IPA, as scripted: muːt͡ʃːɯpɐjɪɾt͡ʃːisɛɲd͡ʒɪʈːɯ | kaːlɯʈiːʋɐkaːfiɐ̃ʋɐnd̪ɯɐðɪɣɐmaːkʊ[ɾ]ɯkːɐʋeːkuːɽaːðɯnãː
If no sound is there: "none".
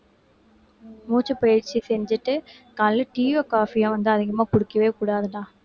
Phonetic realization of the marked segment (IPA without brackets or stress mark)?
ɽ